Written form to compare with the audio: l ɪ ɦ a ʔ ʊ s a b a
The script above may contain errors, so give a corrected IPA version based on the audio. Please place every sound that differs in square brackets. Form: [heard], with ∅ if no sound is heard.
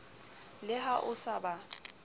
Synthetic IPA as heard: l ɪ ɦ a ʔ ʊ s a b a